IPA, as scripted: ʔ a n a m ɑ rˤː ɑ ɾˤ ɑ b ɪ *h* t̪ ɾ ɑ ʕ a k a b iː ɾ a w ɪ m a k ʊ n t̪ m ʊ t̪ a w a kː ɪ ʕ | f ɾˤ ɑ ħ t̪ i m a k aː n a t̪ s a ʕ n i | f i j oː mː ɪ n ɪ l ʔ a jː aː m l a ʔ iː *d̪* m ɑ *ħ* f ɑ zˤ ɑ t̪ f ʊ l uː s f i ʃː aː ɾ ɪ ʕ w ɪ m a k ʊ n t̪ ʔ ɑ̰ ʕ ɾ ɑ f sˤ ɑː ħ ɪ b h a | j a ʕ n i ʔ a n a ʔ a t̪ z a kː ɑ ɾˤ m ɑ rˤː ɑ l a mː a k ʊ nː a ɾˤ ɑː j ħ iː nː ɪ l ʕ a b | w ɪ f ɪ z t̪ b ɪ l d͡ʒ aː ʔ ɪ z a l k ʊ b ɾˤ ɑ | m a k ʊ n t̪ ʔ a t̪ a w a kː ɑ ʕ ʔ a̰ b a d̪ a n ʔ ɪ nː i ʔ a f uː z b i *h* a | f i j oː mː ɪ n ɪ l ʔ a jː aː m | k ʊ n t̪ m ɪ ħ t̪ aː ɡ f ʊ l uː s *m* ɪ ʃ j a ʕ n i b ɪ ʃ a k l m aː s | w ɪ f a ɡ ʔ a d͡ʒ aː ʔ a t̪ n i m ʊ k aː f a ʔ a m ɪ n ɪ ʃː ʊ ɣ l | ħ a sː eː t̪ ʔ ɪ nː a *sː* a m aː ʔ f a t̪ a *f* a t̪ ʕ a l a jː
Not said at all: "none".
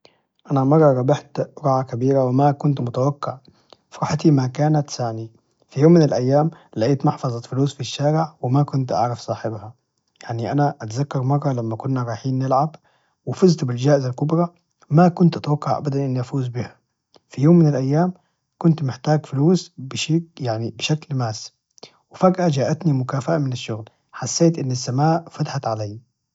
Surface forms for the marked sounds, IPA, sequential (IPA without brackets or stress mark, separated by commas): ħ, t̪, ħ, h, b, sː, ħ